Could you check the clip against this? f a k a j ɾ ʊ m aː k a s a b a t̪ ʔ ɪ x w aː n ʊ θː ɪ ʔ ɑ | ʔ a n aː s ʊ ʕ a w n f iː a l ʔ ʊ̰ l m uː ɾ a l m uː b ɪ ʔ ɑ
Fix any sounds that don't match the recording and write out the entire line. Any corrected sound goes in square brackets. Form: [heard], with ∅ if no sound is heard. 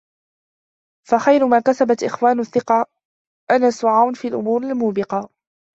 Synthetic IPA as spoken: f a [x] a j ɾ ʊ m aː k a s a b a t̪ ʔ ɪ x w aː n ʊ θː ɪ [q] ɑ | ʔ a n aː s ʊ ʕ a w n f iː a l ʔ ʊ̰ [∅] m uː ɾ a l m uː b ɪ [q] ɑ

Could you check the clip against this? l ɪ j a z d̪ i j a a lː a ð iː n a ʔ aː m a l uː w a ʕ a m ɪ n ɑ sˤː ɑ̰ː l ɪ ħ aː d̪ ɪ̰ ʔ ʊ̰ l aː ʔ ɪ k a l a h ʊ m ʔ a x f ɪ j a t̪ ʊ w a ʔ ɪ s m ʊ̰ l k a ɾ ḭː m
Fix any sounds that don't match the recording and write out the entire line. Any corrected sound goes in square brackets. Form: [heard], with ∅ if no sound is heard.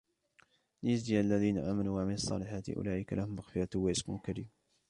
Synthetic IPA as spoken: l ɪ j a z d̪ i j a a lː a ð iː n a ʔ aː m a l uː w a ʕ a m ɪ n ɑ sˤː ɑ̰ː l ɪ ħ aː [t̪] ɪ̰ ʔ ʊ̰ l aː ʔ ɪ k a l a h ʊ m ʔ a x f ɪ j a t̪ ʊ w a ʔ ɪ s m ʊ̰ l k a ɾ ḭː m

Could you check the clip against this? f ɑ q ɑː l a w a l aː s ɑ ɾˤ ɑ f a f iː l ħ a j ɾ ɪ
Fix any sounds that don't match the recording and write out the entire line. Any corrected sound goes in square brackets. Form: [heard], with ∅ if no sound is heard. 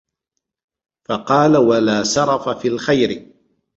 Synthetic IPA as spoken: f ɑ q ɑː l a w a l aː s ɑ ɾˤ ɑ f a f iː l [x] a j ɾ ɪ

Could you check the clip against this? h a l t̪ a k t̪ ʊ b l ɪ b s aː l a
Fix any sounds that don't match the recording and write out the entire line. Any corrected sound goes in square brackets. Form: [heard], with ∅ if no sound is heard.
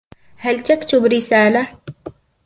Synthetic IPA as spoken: h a l t̪ a k t̪ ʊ b [ɾ] ɪ [∅] s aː l a

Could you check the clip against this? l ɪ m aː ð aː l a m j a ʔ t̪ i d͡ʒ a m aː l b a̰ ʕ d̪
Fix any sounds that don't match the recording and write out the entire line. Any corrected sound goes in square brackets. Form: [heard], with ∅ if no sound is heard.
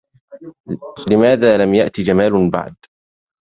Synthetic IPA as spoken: l ɪ m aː ð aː l a m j a ʔ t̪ i d͡ʒ a m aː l b a̰ ʕ d̪

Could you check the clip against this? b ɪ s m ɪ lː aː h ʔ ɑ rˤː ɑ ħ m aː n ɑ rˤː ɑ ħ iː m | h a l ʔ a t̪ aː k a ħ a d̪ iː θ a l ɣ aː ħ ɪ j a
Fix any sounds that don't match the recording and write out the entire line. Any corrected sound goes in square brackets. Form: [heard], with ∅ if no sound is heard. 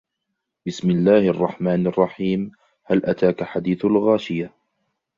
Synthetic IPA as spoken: b ɪ s m ɪ lː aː h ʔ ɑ rˤː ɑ ħ m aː n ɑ rˤː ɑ ħ iː m | h a l ʔ a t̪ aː k a ħ a d̪ iː θ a l ɣ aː [ʃ] ɪ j a

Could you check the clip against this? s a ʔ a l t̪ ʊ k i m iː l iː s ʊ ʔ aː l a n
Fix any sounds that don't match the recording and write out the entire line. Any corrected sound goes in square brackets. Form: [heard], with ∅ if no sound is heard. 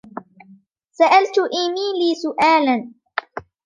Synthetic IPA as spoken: s a ʔ a l t̪ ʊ [ʔ] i m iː l iː s ʊ ʔ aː l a n

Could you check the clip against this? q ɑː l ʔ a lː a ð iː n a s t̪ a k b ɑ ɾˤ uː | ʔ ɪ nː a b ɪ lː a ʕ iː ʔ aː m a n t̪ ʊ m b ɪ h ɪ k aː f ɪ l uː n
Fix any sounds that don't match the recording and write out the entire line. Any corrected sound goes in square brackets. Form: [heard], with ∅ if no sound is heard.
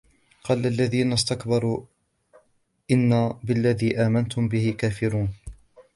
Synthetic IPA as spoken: q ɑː l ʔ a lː a ð iː n a s t̪ a k b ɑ ɾˤ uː | ʔ ɪ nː a b ɪ lː a [ð] iː ʔ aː m a n t̪ ʊ m b ɪ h ɪ k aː f ɪ [ɾ] uː n

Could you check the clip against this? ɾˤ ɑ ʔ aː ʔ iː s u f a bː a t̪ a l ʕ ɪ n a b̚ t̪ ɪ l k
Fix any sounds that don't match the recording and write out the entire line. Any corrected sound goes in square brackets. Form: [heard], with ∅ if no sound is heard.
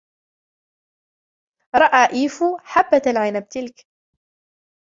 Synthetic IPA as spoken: ɾˤ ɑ ʔ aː ʔ iː [f] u [ħ] a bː a t̪ a l ʕ ɪ n a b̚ t̪ ɪ l k

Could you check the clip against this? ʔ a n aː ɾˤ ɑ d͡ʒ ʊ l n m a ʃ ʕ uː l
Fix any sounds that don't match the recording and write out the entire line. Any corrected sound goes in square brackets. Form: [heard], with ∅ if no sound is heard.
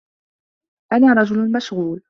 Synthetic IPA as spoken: ʔ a n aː ɾˤ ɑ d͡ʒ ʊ l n m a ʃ [ɣ] uː l

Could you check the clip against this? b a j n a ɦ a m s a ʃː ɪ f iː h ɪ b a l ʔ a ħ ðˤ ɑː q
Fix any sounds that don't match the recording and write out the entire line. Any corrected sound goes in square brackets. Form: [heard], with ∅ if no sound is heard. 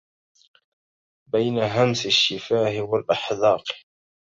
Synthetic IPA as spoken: b a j n a ɦ a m s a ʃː ɪ f [aː] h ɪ [w] a l ʔ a ħ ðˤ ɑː q

